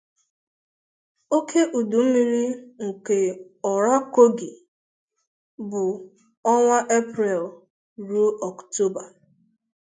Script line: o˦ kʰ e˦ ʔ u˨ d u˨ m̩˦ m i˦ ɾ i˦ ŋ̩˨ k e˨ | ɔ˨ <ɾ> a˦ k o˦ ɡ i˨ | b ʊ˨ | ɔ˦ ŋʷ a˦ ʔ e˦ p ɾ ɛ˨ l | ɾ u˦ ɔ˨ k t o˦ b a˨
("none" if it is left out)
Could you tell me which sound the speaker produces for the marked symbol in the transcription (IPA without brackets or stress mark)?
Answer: ɾ